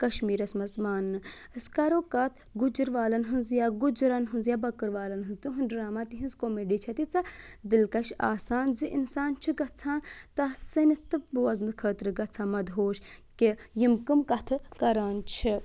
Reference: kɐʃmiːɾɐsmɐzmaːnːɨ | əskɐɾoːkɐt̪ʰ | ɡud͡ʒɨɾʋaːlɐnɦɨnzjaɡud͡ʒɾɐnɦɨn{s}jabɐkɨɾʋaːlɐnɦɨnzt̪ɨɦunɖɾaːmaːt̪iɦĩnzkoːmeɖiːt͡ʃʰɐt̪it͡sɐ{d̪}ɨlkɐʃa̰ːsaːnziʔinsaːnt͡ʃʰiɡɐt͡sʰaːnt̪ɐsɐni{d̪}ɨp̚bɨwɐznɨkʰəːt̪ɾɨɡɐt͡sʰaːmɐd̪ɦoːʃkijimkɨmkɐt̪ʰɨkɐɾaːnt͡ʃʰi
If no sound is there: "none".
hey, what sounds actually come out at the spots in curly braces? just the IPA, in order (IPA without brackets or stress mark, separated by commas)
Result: z, d̪, t̪